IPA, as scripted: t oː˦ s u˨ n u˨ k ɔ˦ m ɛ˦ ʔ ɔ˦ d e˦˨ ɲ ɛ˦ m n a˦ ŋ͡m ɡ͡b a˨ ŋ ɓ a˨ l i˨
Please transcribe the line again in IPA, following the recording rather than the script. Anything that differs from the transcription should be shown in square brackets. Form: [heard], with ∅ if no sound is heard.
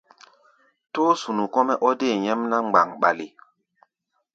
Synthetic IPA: t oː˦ s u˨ n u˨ k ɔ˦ m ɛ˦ ʔ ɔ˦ d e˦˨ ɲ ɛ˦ m n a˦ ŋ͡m ɡ͡b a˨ ŋ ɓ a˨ l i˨